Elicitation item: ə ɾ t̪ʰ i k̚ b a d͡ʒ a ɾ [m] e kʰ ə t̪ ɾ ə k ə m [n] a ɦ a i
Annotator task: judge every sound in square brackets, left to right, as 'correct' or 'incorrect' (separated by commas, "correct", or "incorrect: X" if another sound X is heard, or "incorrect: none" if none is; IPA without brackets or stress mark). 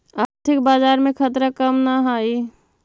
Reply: correct, correct